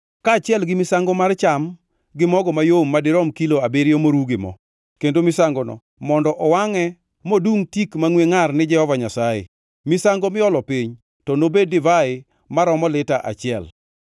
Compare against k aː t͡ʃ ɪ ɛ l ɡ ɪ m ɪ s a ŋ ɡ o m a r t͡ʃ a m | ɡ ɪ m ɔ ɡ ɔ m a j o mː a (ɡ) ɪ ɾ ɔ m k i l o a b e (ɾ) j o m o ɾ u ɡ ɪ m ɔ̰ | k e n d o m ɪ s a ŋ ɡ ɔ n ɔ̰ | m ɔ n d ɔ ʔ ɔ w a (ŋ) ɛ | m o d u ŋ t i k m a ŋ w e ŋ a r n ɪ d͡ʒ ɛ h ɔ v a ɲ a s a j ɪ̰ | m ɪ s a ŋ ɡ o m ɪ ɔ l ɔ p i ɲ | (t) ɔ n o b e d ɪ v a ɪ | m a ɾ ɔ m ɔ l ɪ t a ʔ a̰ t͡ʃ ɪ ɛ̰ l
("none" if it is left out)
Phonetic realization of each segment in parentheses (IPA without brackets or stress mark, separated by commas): d, ɾ, ŋ, t